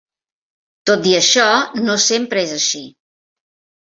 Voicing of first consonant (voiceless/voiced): voiceless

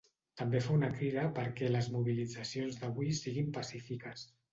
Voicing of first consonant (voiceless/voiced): voiceless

